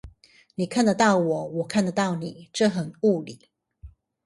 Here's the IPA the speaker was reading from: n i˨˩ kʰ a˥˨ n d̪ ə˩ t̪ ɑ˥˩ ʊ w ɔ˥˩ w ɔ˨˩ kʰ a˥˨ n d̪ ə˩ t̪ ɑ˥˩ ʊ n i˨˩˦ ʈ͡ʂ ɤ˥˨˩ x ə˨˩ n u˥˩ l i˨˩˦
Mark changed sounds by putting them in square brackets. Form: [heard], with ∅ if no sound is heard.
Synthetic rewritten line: n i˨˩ kʰ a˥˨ n d̪ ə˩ t̪ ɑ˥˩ ʊ w [ɔ˨˩˦] w ɔ˨˩ kʰ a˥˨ n d̪ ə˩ t̪ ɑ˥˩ ʊ n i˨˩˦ ʈ͡ʂ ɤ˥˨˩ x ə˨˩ n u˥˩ l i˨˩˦